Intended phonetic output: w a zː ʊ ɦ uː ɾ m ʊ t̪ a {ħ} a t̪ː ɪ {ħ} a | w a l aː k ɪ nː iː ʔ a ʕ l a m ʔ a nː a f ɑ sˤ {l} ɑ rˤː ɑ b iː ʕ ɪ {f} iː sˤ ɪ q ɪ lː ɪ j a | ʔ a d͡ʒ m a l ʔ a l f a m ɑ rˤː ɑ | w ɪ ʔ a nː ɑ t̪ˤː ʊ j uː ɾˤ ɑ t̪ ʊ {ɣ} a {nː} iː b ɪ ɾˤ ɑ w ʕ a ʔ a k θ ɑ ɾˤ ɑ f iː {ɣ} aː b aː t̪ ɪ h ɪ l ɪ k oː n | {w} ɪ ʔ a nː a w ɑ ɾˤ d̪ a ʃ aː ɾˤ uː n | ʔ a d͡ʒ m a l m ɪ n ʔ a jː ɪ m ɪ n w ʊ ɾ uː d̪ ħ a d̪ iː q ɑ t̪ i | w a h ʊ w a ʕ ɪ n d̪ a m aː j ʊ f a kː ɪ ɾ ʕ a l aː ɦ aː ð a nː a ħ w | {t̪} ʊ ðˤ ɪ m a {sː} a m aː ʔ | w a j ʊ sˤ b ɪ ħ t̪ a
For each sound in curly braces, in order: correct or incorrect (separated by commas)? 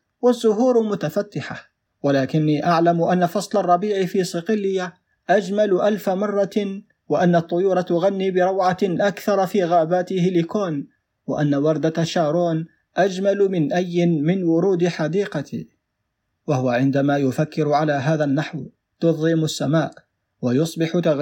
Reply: incorrect, correct, correct, correct, correct, correct, correct, correct, correct, correct